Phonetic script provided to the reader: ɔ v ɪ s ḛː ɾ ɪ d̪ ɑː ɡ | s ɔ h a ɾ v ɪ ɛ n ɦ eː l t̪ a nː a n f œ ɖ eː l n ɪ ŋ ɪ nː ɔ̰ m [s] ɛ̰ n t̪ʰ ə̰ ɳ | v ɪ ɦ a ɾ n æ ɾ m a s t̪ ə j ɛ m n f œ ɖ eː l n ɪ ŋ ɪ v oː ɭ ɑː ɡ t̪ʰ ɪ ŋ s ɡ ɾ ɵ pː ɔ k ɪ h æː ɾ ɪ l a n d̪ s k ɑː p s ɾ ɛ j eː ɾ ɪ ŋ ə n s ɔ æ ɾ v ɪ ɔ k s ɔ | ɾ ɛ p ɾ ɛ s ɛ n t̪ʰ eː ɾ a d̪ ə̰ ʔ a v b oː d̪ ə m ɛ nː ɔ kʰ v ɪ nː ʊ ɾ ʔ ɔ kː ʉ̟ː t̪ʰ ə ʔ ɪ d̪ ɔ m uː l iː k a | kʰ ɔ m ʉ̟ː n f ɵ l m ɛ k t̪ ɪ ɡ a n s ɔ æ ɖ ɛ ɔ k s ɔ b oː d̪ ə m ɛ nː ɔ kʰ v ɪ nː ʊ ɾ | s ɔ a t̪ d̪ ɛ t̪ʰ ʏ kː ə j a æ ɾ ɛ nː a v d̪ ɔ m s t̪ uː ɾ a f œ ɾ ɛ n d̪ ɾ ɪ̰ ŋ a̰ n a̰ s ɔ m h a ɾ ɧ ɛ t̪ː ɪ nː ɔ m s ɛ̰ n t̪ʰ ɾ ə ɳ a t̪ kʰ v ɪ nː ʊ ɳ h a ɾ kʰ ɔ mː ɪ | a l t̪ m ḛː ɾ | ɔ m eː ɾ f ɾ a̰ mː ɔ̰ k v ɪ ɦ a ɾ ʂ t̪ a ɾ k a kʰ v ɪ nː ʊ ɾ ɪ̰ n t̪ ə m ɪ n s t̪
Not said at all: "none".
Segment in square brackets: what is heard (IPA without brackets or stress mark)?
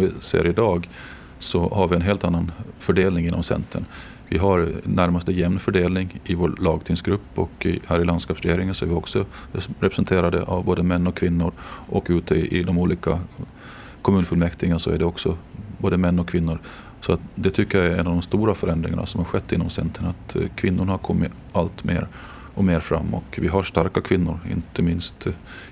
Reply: s